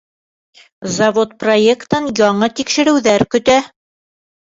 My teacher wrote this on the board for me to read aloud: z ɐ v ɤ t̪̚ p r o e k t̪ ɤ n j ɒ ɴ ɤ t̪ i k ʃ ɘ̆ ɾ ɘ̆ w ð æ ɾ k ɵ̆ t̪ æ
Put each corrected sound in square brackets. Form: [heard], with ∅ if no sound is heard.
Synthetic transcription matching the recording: z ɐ v [o] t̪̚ p r o e k t̪ ɤ n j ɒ ɴ ɤ t̪ i k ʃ ɘ̆ ɾ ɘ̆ w ð æ ɾ k ɵ̆ t̪ æ